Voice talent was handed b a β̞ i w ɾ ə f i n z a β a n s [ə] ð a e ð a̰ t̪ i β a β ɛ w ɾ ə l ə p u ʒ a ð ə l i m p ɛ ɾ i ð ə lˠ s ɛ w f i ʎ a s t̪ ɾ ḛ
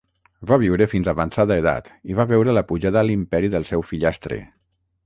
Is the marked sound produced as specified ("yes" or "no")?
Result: no